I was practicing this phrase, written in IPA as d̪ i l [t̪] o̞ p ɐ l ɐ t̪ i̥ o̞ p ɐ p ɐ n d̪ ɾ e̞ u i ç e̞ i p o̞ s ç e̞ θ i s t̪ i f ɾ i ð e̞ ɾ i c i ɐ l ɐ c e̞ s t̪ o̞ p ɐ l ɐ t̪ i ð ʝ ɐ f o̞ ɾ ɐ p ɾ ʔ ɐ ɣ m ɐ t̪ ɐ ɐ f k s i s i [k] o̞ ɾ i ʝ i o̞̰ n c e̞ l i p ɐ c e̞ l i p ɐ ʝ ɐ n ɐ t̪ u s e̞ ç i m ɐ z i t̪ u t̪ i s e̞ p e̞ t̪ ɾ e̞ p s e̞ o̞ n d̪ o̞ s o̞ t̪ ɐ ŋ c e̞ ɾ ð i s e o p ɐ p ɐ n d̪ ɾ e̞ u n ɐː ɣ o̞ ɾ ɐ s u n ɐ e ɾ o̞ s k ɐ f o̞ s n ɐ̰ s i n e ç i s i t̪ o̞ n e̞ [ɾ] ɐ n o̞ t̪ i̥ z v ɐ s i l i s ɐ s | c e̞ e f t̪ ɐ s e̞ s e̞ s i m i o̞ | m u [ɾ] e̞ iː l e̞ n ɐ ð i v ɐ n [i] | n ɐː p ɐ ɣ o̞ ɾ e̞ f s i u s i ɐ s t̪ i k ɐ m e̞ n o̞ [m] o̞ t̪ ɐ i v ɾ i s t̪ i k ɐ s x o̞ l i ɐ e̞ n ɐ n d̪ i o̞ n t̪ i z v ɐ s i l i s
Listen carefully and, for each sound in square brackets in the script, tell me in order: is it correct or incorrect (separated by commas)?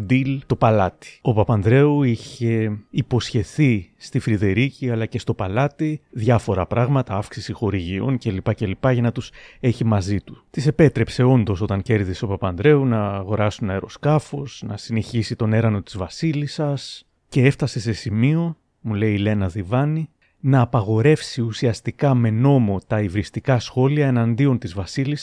correct, incorrect, correct, incorrect, correct, correct